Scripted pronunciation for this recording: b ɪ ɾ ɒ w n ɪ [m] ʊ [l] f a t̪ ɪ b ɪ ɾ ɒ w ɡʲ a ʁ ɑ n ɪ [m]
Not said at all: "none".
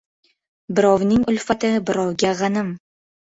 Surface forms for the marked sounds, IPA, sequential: ŋ, l, m

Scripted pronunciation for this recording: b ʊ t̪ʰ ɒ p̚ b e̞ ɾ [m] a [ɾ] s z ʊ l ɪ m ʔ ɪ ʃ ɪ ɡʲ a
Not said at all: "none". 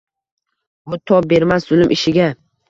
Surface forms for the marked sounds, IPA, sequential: m, none

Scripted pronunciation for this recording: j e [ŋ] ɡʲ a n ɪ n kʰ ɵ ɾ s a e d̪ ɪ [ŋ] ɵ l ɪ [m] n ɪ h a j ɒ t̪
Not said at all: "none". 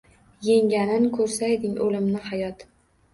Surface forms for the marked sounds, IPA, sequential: ŋ, ŋ, m

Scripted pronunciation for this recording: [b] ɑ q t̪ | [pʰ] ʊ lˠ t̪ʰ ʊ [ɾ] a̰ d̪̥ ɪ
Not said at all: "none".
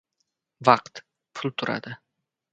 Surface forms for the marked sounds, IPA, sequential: v, pʰ, ɾ

